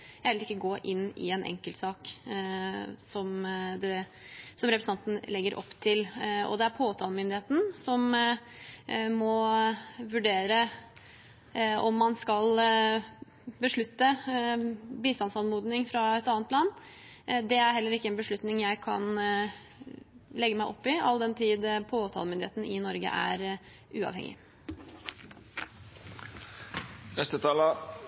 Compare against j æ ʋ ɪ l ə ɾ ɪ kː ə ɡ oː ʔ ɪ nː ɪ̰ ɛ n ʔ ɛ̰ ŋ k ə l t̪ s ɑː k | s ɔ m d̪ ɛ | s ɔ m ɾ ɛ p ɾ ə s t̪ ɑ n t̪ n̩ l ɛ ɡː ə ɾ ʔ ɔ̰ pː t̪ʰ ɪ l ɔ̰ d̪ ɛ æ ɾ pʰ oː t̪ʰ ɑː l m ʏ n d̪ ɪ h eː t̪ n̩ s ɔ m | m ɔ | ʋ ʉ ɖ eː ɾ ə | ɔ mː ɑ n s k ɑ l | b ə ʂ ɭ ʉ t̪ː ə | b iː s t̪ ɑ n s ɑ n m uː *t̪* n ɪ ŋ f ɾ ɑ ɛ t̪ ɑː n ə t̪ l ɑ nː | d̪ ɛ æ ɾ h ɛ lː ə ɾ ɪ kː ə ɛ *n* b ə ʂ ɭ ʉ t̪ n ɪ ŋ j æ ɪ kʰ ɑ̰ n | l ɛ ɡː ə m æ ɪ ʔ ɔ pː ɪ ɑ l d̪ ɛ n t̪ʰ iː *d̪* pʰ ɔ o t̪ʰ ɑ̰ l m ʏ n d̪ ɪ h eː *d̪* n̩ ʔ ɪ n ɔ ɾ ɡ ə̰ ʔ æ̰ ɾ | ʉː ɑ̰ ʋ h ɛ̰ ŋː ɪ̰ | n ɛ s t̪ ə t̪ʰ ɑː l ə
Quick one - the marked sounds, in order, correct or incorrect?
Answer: incorrect, correct, correct, incorrect

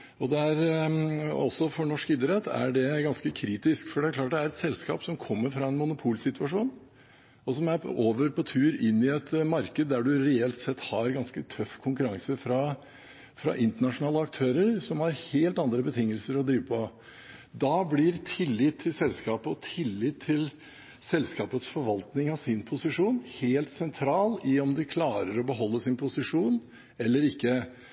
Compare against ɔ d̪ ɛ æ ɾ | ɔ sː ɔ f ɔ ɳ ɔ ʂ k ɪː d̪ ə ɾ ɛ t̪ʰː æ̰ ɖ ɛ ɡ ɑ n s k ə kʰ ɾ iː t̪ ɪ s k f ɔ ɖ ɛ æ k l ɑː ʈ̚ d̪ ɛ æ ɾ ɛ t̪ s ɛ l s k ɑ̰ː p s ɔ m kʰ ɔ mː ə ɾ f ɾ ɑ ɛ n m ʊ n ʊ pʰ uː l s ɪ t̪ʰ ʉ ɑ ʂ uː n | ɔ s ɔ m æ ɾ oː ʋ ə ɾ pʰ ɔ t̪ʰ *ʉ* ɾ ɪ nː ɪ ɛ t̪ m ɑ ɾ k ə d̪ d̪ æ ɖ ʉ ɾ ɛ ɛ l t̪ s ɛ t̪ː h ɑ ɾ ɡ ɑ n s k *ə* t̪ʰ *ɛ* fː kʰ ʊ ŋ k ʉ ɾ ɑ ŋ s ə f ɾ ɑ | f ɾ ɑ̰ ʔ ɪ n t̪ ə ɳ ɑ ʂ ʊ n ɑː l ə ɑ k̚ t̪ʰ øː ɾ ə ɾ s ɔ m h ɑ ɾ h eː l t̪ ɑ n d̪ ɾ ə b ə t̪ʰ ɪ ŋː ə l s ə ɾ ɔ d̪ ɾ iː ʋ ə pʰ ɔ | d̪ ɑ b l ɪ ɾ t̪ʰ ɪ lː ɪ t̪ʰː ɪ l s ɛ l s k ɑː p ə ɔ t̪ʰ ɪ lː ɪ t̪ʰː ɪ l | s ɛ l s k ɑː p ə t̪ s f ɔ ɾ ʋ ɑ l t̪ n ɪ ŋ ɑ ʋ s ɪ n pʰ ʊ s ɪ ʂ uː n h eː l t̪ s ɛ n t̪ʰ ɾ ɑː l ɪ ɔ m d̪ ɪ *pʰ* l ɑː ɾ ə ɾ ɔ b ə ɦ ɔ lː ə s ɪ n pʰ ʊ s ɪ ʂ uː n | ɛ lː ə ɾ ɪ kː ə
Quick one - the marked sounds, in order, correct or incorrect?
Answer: incorrect, correct, incorrect, incorrect

